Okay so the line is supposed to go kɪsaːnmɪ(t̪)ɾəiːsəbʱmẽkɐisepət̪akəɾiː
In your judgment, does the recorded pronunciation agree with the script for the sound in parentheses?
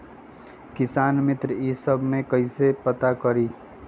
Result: yes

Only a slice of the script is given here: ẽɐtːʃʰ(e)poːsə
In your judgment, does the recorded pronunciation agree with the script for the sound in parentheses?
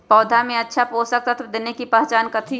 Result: no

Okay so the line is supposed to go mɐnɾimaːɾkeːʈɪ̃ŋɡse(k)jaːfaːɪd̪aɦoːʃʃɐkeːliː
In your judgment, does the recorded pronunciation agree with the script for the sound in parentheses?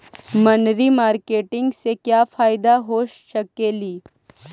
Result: yes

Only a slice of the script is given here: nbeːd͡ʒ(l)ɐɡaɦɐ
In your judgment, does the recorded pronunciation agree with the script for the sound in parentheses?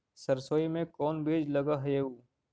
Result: yes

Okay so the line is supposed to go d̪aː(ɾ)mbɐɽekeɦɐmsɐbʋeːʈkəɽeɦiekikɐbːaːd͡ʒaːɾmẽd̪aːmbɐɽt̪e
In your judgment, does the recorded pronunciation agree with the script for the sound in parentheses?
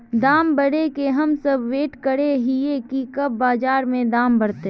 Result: no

